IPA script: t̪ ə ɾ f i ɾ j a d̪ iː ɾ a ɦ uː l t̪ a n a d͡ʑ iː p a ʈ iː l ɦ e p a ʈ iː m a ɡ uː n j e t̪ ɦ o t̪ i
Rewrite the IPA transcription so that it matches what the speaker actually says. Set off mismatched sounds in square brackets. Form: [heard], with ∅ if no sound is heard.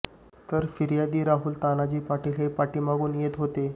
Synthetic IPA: t̪ ə ɾ f i ɾ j a d̪ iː ɾ a ɦ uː l t̪ a n a d͡ʑ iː p a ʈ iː l ɦ e p a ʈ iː m a ɡ uː n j e t̪ ɦ o t̪ [e]